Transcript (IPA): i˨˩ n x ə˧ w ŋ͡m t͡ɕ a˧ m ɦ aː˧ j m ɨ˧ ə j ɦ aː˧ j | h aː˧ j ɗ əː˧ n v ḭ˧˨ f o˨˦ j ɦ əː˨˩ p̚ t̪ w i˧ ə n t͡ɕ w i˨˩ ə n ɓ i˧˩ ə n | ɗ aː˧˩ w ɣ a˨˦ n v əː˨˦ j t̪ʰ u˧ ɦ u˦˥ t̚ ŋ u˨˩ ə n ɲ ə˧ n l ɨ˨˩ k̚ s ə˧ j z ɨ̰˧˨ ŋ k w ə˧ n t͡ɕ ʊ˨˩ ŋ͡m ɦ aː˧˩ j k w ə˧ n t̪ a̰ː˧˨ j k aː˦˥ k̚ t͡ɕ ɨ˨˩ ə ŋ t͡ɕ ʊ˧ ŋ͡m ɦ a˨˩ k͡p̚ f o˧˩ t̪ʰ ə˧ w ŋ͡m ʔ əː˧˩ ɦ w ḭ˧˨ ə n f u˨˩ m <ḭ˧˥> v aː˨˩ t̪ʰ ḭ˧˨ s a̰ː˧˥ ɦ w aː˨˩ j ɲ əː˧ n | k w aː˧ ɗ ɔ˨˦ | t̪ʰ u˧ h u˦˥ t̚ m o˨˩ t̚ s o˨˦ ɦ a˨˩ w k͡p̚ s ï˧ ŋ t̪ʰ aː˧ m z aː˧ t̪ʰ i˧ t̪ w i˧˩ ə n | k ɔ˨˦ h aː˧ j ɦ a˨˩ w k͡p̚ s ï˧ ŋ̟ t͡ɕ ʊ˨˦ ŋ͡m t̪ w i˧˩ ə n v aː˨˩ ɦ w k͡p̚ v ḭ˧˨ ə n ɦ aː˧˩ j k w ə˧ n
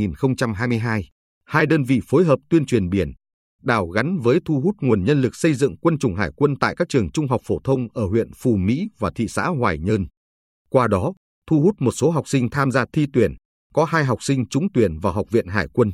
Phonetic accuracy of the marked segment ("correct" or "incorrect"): correct